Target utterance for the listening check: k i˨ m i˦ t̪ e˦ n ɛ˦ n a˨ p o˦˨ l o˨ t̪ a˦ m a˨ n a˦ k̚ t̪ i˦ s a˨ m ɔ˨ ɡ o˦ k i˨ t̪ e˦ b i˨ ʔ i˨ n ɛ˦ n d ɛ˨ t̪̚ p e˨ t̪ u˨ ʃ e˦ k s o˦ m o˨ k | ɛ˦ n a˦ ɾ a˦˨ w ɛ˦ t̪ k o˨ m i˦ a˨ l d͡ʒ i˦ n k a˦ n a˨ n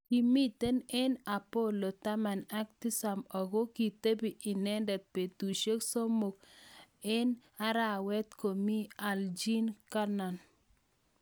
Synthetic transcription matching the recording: k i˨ m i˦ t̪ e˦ n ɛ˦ n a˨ p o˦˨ l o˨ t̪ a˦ m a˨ n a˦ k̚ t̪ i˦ s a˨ m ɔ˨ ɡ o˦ k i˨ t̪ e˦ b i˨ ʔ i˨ n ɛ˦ n d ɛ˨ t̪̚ p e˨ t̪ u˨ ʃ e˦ k s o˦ m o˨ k | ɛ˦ n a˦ ɾ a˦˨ w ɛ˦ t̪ k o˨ m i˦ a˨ l d͡ʒ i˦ n k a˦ n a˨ n